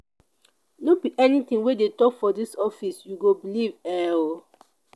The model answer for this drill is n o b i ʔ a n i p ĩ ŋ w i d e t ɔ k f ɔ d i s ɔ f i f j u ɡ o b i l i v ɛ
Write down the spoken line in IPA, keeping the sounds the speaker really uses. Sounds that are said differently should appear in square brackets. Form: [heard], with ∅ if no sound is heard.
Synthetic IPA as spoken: n o b i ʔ [ɛ] n i [t] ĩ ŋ w [e] d e t ɔ k f ɔ d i s ɔ f i [s] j u ɡ o b i l i v ɛ